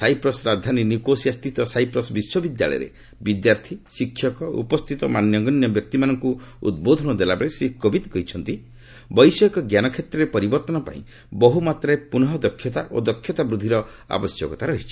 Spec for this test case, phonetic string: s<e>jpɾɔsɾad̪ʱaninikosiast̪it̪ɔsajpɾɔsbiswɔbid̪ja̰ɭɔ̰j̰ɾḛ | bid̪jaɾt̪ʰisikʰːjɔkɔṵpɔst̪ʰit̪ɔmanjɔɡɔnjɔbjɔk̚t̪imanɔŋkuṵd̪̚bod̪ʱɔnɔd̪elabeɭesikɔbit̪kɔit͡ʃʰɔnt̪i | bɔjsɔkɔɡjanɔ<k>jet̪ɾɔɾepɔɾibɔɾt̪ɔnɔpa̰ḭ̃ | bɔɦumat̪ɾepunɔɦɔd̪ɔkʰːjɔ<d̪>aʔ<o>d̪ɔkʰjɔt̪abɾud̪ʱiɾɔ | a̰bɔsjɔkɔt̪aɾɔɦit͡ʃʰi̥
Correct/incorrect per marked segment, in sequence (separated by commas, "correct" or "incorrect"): incorrect, incorrect, incorrect, correct